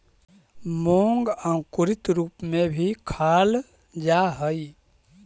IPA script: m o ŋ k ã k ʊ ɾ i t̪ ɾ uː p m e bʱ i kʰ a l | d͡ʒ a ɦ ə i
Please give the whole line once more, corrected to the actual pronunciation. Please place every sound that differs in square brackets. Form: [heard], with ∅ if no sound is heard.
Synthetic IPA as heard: m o ŋ [ɡ] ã k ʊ ɾ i t̪ ɾ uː p m e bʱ i kʰ a l | d͡ʒ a ɦ ə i